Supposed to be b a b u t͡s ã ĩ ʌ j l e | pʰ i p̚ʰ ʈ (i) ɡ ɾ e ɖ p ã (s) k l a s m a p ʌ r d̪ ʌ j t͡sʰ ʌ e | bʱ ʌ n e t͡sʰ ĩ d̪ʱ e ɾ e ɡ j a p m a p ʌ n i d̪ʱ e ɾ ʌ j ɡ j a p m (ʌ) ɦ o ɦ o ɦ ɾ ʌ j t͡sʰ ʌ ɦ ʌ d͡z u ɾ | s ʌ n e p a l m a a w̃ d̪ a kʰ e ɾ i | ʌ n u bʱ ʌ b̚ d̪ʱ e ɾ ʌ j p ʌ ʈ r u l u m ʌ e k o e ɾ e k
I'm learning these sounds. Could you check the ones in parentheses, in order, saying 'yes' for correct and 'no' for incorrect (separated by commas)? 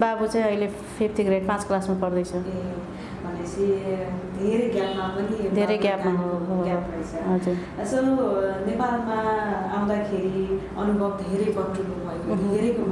yes, no, no